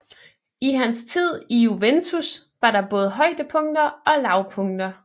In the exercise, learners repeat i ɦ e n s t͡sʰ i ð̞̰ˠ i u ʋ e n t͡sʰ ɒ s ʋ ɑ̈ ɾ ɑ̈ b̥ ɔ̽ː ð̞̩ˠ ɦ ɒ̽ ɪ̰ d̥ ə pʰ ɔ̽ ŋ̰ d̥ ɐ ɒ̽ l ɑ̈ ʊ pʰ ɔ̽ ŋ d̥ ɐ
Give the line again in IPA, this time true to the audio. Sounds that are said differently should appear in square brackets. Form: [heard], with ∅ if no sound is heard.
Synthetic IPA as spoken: i ɦ [æ] n s t͡sʰ i ð̞̰ˠ i u ʋ e n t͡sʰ [u] s ʋ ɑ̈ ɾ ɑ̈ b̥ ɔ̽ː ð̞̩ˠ ɦ ɒ̽ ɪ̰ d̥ ə pʰ ɔ̽ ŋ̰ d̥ ɐ ɒ̽ l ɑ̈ ʊ pʰ ɔ̽ ŋ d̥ ɐ